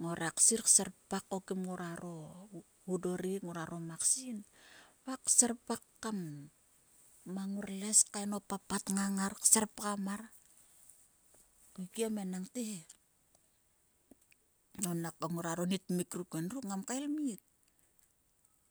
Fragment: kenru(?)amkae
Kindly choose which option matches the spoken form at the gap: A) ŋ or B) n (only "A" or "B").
A